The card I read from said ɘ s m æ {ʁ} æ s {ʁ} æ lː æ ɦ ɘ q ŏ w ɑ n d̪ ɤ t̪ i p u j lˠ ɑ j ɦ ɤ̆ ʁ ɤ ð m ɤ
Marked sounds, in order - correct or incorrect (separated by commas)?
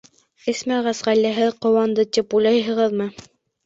correct, correct